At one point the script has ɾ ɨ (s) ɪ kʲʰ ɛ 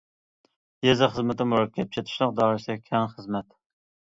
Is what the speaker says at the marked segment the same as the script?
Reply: yes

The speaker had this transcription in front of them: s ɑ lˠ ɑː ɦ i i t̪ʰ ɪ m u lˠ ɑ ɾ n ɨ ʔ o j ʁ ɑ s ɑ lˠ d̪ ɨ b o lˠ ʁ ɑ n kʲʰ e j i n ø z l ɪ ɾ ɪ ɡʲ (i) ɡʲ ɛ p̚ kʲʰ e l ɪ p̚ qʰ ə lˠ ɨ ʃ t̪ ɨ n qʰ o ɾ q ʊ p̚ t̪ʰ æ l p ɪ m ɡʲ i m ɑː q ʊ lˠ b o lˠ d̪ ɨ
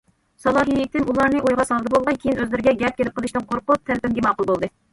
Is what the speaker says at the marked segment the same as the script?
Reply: no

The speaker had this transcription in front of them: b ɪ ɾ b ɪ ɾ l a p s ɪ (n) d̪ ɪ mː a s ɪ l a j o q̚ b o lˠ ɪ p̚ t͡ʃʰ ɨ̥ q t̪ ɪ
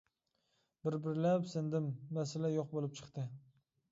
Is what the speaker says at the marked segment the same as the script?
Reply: yes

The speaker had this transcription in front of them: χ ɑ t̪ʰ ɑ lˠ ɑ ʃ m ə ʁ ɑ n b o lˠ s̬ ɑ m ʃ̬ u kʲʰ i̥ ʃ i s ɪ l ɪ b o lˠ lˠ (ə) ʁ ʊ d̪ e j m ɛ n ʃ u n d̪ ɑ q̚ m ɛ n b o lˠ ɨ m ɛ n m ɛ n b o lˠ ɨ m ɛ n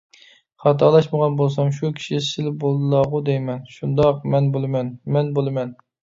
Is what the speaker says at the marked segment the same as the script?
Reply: no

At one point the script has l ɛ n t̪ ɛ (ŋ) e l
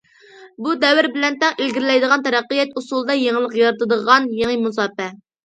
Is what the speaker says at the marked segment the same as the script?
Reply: yes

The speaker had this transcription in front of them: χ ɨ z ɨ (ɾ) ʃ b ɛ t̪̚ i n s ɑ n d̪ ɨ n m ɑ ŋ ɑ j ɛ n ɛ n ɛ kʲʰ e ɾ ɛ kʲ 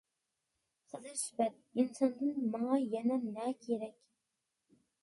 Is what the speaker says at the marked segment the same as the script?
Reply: yes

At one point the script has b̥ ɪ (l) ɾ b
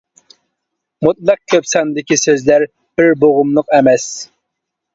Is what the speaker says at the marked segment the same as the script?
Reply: no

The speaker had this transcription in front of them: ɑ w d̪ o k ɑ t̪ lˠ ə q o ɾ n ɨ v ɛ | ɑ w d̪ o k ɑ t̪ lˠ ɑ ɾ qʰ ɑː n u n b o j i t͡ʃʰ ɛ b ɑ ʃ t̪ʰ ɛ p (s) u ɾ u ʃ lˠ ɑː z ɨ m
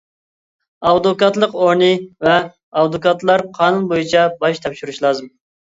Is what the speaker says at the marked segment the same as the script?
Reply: no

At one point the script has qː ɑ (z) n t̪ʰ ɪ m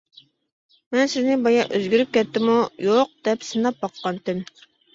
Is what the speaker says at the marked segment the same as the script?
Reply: no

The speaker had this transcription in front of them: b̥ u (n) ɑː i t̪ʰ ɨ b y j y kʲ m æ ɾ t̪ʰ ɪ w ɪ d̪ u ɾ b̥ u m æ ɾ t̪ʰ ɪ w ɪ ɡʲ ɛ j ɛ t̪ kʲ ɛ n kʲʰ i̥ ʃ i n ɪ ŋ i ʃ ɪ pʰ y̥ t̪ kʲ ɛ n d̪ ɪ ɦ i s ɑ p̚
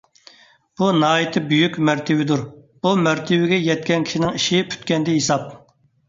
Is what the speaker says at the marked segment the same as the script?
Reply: yes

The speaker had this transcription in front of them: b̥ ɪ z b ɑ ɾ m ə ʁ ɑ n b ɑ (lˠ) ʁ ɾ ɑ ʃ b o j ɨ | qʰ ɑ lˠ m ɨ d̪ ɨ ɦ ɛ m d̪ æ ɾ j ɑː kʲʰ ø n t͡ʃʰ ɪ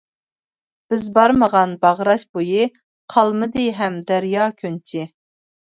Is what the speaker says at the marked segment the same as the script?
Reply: no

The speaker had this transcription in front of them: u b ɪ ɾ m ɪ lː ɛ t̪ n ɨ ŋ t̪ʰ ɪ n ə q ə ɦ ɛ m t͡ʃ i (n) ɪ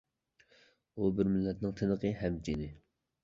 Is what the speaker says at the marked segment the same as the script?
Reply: yes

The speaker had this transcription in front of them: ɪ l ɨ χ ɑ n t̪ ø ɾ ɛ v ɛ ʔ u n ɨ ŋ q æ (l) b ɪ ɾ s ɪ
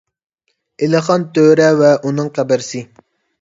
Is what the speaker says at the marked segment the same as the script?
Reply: no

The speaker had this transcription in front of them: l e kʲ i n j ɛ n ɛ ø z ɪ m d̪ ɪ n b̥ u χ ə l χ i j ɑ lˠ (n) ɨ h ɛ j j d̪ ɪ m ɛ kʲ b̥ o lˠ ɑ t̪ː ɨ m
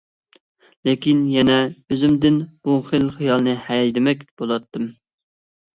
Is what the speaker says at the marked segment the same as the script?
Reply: yes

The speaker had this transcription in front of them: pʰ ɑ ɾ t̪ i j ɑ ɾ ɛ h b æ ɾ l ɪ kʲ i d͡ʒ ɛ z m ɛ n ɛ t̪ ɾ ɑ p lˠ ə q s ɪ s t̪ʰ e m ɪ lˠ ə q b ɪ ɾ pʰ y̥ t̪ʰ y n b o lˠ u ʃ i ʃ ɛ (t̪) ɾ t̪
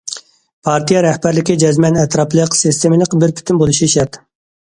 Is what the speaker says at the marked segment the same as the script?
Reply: no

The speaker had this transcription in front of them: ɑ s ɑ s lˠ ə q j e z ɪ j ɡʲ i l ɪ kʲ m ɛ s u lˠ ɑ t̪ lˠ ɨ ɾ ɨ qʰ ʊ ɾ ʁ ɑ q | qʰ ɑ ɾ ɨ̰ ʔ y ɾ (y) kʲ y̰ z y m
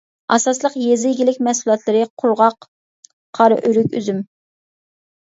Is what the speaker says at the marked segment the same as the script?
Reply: yes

